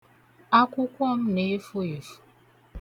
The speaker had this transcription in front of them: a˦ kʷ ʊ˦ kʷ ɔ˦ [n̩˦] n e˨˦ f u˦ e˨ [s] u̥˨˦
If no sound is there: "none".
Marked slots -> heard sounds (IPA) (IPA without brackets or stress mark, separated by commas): m̩˦, f